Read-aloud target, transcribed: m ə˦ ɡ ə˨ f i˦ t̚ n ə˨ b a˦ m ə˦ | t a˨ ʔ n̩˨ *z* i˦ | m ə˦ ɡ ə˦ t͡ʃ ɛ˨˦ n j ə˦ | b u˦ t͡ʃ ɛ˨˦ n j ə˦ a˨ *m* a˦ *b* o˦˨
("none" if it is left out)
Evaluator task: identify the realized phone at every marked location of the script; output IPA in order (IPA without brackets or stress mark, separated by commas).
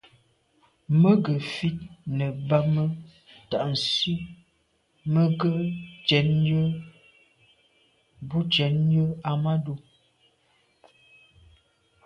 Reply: s, m, d